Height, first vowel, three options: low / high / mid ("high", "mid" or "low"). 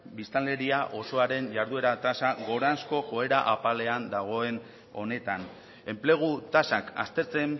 high